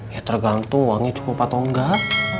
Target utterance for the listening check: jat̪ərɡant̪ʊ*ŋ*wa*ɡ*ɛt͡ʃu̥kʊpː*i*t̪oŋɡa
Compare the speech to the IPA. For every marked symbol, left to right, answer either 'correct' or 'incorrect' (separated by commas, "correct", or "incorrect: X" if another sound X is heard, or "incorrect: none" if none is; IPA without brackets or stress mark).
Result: correct, incorrect: ŋ, incorrect: a